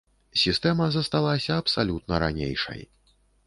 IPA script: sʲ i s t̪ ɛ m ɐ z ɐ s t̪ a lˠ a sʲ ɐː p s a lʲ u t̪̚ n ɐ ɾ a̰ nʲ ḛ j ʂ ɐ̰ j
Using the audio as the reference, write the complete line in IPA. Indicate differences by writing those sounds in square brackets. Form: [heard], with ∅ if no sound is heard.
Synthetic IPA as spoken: sʲ i s t̪ ɛ m ɐ z ɐ s t̪ a lˠ a sʲ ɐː p s a lʲ u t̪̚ n ɐ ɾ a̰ nʲ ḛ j ʂ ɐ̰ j

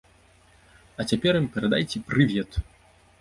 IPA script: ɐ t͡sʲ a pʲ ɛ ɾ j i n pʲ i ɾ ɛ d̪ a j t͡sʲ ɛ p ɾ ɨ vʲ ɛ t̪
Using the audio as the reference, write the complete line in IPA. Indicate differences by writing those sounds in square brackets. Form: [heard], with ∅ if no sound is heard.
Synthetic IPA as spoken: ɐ t͡sʲ a pʲ ɛ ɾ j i [m] pʲ [ɛ] ɾ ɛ d̪ a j t͡sʲ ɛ p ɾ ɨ vʲ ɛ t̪

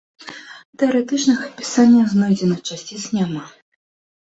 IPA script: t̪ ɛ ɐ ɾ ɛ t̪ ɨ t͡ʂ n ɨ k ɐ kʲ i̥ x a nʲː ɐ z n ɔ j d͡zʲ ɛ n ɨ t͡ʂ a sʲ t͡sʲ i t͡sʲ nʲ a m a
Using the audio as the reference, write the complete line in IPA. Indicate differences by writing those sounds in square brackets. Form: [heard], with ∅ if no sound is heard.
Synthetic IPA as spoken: t̪ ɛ ɐ ɾ ɛ t̪ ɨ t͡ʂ n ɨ [x] ɐ [pʲ] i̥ [s] a nʲː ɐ z n ɔ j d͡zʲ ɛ n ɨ t͡ʂ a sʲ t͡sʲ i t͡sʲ nʲ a m a

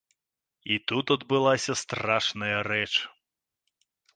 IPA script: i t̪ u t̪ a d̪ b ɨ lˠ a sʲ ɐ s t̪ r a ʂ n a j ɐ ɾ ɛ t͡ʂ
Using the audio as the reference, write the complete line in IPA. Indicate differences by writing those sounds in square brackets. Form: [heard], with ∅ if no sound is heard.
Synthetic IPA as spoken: i t̪ u t̪ [ɐ] d̪ b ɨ lˠ a sʲ ɐ s t̪ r a ʂ n [ɐ] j ɐ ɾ ɛ t͡ʂ

